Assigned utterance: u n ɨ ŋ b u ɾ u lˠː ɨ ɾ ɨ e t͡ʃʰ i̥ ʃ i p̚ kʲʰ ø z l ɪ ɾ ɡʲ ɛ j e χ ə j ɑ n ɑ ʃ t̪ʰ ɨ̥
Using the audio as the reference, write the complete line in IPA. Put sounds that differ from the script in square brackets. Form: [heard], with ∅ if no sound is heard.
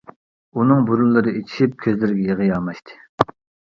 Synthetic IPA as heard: u n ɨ ŋ b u ɾ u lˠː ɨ ɾ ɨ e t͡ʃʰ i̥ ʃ i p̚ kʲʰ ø z l ɪ ɾ ɡʲ ɛ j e [ʁ] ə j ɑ [m] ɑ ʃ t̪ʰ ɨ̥